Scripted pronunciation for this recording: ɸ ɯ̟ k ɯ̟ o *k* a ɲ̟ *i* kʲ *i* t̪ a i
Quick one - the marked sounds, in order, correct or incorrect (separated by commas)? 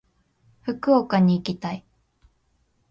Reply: correct, incorrect, correct